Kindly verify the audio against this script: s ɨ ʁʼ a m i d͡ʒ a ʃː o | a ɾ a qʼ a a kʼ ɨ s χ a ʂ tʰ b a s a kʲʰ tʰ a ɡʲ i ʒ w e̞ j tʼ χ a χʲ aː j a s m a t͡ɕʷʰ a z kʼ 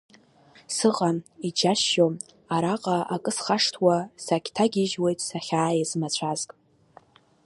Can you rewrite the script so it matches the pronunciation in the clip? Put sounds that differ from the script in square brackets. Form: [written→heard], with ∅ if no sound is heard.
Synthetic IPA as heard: s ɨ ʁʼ a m i d͡ʒ a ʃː o | a ɾ a qʼ a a kʼ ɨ s χ a ʂ tʰ [b→w] a s a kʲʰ tʰ a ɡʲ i ʒ w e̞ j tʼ [χ→s] a χʲ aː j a [s→z] m a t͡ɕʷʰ a z kʼ